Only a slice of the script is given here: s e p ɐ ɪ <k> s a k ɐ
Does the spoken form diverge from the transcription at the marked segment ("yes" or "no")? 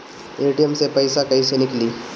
yes